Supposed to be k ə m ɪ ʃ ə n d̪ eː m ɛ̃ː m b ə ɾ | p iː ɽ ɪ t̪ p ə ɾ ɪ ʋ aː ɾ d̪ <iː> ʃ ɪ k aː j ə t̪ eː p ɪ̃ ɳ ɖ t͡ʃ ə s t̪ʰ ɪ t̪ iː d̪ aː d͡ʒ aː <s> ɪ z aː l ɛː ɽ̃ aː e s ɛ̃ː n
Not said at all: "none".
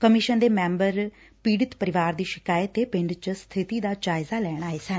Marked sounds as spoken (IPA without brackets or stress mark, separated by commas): iː, none